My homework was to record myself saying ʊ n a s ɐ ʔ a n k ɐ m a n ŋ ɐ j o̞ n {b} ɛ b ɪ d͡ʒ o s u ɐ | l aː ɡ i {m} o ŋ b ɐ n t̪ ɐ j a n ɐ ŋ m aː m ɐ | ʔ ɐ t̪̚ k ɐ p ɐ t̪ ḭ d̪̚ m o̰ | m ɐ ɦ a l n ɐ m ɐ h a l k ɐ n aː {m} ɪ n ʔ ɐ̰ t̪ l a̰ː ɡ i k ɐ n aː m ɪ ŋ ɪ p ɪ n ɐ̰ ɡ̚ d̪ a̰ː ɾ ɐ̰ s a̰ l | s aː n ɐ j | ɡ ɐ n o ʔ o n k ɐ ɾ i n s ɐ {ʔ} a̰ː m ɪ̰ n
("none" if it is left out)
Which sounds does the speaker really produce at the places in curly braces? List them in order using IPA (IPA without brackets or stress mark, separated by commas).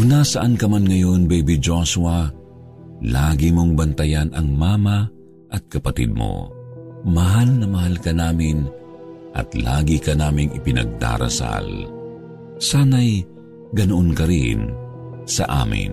b, m, m, ʔ